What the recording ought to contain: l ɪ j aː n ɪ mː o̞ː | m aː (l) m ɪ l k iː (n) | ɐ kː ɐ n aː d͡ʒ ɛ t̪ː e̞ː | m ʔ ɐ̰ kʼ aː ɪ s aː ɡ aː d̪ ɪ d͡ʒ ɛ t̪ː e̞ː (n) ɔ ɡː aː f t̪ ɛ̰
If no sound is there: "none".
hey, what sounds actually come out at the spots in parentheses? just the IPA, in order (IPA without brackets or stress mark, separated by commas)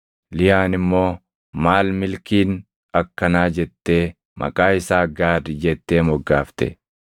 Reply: l, n, m